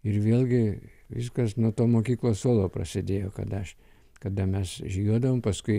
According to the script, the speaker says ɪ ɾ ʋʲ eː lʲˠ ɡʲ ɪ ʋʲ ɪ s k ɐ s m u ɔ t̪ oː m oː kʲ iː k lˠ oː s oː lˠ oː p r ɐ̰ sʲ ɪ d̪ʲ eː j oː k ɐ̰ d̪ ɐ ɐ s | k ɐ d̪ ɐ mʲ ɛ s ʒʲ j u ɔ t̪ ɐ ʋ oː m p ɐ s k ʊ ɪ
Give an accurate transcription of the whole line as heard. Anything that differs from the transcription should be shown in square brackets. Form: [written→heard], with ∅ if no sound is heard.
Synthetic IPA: ɪ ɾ ʋʲ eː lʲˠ ɡʲ ɪ ʋʲ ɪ s k ɐ s [m→n] u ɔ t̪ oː m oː kʲ iː k lˠ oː s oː lˠ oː p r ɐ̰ sʲ ɪ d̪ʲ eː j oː k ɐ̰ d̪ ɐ ɐ [s→ʃ] | k ɐ d̪ ɐ mʲ ɛ s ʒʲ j u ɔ [t̪→d̪] ɐ ʋ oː m p ɐ s k ʊ ɪ